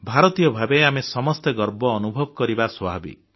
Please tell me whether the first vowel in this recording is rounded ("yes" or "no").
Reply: no